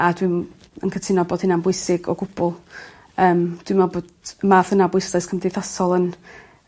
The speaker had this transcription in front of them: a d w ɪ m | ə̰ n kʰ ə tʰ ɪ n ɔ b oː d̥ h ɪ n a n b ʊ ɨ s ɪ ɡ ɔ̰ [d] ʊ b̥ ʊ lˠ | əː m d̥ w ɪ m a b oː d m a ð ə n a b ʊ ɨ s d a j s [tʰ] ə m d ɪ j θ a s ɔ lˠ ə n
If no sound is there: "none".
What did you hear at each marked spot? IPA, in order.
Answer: ɡ, kʰ

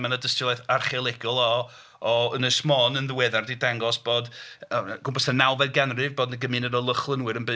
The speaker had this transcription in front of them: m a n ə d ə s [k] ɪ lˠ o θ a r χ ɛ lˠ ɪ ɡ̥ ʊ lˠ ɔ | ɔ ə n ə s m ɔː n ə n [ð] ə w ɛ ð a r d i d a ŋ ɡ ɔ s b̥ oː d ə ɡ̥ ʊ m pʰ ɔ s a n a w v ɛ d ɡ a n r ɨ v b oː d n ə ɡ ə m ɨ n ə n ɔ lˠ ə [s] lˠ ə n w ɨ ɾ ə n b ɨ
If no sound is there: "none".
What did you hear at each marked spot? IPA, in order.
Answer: t, ð, χ

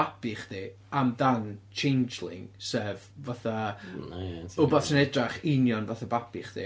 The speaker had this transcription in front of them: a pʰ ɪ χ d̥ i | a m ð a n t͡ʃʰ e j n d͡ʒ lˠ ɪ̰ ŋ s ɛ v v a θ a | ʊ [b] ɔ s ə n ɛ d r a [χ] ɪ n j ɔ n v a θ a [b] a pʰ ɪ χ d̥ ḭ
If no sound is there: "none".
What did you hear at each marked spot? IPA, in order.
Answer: b, χ, b

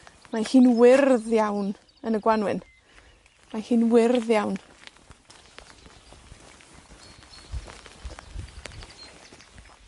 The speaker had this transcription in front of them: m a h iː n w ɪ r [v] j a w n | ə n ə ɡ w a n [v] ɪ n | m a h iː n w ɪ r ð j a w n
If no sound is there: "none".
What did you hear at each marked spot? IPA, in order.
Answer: ð, w

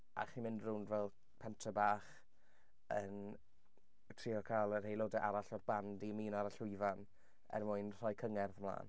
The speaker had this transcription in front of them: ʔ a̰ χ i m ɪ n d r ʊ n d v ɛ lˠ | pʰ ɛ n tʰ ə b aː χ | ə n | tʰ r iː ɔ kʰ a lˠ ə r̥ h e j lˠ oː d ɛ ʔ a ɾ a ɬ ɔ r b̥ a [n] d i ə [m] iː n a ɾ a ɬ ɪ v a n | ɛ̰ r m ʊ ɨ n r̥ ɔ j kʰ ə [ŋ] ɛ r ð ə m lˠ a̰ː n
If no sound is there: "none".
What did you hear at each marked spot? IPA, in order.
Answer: n, m, ŋ

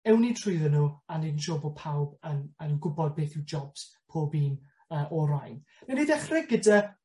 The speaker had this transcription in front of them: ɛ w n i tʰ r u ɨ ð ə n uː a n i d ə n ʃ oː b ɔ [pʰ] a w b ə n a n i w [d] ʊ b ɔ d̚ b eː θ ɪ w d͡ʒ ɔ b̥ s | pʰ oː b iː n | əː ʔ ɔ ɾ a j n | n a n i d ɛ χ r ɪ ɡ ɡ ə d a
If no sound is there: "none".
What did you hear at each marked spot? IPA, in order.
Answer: pʰ, ɡ

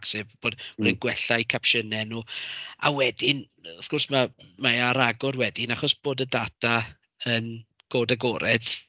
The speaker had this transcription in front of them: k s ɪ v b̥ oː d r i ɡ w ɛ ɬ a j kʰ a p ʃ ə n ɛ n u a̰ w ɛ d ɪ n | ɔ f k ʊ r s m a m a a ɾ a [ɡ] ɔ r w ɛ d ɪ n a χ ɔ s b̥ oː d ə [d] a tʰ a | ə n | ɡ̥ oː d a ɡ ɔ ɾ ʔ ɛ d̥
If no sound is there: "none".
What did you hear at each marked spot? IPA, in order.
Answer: ɡ, d

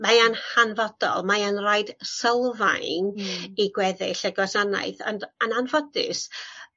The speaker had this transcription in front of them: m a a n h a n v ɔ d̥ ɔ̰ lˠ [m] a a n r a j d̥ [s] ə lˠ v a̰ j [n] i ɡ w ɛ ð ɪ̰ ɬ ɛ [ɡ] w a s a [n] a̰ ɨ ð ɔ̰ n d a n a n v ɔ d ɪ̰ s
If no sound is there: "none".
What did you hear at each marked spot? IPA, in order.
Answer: m, s, n, ɡ, n

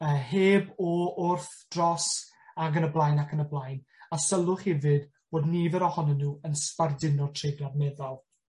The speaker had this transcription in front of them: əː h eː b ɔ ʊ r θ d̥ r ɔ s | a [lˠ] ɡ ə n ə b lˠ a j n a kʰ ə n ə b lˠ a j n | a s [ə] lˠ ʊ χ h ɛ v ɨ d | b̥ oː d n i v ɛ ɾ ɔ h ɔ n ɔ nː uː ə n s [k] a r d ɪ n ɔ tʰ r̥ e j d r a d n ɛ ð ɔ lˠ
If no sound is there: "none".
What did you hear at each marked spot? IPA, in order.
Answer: none, ə, p

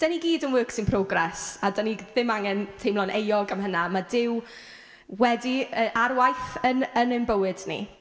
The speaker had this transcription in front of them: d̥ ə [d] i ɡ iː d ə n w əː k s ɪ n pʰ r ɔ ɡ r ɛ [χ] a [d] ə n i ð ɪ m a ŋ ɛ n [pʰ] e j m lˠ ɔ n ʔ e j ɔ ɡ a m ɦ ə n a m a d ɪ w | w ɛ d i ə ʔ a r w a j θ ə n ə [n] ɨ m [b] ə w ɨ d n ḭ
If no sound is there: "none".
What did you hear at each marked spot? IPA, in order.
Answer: n, s, d, tʰ, n, b

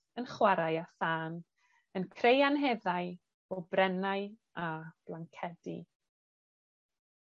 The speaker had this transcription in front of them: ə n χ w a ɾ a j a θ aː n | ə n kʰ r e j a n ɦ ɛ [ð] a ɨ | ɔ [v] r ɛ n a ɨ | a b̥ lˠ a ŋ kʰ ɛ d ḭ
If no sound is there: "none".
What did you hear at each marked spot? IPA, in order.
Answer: ð, b

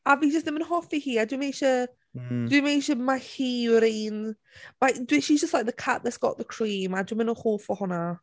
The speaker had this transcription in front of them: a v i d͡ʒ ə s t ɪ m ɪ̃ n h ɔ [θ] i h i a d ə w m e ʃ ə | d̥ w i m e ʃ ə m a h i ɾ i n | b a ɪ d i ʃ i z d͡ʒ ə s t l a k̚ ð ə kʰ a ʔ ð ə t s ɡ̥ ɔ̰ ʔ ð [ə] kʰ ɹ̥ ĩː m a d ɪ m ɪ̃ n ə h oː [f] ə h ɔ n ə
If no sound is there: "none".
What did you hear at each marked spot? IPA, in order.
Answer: f, ə, f

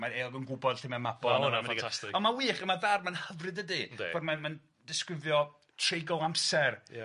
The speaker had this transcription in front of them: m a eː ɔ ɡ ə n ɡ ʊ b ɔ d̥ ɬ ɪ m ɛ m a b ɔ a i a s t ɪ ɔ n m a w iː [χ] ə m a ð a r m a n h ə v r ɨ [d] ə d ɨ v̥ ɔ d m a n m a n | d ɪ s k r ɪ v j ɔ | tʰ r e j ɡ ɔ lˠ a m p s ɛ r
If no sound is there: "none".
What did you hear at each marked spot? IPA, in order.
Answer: χ, d

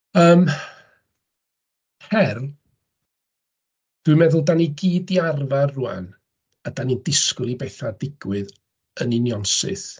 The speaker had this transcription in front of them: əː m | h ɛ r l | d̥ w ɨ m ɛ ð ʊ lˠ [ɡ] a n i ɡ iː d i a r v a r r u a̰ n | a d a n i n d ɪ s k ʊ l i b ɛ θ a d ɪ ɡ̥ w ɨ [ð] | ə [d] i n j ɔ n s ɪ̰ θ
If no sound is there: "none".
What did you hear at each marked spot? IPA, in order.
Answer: d, ð, n

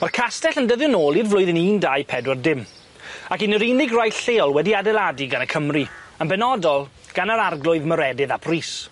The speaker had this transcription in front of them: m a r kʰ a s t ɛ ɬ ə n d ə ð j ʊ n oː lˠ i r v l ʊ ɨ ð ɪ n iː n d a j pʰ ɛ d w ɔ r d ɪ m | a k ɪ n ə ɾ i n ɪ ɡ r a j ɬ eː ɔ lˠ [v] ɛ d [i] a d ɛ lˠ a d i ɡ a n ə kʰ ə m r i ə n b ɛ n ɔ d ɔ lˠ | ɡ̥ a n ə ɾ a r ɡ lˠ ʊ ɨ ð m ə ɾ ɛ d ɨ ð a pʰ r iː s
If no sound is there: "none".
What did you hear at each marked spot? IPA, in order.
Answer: w, i

